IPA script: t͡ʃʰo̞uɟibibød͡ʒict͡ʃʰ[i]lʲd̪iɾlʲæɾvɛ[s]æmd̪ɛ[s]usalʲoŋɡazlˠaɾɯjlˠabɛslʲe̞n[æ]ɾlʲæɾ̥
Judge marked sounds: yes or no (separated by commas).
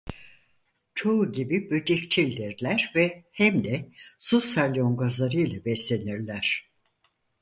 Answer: yes, no, yes, no